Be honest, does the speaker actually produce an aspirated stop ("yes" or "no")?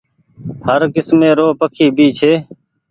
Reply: yes